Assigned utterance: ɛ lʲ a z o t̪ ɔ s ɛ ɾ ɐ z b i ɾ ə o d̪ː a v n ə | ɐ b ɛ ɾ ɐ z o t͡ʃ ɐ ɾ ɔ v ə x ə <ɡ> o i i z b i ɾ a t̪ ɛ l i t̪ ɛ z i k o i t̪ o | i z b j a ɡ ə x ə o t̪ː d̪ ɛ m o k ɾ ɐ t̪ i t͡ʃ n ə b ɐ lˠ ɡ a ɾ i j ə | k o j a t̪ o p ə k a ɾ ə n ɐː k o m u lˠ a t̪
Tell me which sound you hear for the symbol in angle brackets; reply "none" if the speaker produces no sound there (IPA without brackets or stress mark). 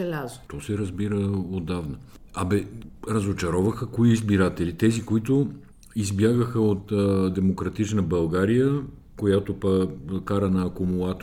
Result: k